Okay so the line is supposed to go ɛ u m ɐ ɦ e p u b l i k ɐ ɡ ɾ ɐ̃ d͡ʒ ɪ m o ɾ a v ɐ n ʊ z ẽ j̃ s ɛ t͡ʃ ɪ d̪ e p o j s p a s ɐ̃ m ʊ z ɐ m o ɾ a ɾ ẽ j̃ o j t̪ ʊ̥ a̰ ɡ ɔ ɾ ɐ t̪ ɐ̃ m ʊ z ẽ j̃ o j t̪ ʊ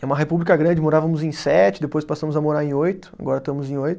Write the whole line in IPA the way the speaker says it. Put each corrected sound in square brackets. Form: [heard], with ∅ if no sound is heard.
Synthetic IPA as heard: ɛ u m ɐ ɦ e p u b l i k ɐ ɡ ɾ ɐ̃ d͡ʒ ɪ m o ɾ a v ɐ [m] ʊ z ẽ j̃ s ɛ t͡ʃ ɪ d̪ e p o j s p a s ɐ̃ m ʊ z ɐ m o ɾ a ɾ ẽ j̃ o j t̪ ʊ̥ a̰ ɡ ɔ ɾ ɐ t̪ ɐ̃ m ʊ z ẽ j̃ o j t̪ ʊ